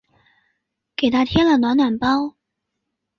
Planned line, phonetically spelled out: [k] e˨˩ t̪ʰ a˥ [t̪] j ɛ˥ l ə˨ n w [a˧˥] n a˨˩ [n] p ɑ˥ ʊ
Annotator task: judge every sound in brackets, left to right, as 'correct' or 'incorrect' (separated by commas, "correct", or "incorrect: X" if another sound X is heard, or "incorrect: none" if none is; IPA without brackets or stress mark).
correct, incorrect: t̪ʰ, correct, correct